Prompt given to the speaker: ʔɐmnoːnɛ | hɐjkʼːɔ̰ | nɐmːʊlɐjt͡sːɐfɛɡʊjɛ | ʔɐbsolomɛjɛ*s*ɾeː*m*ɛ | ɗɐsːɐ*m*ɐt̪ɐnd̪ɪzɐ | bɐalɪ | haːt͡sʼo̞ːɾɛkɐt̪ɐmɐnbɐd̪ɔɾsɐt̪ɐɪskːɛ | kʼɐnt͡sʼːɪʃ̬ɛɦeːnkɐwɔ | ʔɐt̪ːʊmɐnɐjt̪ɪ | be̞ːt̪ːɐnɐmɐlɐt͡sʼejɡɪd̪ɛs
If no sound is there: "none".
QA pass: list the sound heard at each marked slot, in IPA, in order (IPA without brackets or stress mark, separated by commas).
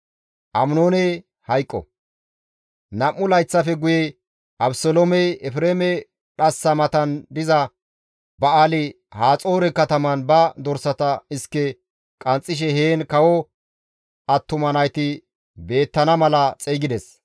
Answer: f, m, m